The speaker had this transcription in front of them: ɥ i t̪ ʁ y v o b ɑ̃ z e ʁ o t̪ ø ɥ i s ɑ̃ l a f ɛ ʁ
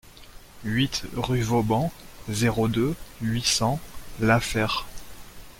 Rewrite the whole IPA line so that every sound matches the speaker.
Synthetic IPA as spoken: ɥ i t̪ ʁ y v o b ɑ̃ z e ʁ o d̪ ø ɥ i s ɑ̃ l a f ɛ ʁ